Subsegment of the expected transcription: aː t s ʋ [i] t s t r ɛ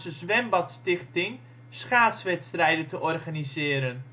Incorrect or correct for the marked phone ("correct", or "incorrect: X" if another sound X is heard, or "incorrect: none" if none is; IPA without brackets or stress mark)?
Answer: incorrect: ɛ